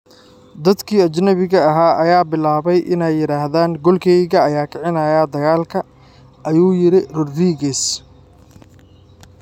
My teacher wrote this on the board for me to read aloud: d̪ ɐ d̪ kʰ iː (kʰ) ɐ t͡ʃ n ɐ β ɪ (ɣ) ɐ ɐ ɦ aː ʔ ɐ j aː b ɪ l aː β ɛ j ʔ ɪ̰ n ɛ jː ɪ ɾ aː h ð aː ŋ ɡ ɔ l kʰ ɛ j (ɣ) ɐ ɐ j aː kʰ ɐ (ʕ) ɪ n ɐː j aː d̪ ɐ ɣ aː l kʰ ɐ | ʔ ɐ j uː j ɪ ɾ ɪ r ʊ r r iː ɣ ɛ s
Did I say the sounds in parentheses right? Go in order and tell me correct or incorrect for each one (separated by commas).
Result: incorrect, correct, correct, correct